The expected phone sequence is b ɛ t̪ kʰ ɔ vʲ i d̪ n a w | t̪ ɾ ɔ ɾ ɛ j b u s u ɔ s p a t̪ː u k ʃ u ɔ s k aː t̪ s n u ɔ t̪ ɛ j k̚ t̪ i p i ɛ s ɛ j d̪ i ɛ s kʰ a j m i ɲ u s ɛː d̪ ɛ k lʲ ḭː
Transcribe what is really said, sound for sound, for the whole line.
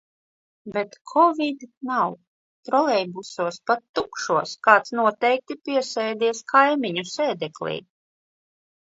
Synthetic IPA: b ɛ t̪ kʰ ɔ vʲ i d̪ n a w | t̪ ɾ ɔ l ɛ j b u s u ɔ s p a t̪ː u k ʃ u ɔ s k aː t̪ s n u ɔ t̪ ɛ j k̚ t̪ i p i ɛ s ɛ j d̪ i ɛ s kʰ a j m i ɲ u s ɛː d̪ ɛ k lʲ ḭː